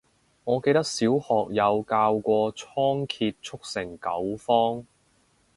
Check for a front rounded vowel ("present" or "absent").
absent